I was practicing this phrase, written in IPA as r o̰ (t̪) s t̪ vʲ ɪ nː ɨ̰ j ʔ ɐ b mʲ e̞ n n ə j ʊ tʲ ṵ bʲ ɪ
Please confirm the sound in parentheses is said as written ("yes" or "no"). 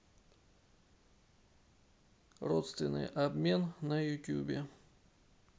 yes